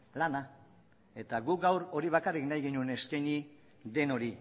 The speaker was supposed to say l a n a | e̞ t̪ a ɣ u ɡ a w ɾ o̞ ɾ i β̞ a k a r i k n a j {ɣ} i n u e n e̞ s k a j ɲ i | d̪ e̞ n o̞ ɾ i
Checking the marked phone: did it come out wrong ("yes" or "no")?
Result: no